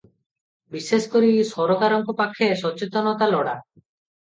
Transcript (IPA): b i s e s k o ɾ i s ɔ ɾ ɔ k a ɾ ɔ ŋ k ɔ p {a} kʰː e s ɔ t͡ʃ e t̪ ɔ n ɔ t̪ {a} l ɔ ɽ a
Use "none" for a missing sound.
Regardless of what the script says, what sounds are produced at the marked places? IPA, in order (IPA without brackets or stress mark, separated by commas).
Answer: a, a